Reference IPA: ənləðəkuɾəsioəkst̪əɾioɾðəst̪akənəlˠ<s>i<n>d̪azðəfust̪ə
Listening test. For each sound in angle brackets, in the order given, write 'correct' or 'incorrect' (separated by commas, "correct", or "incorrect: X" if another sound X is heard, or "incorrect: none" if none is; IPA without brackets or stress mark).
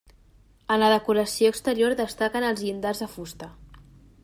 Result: incorrect: z, correct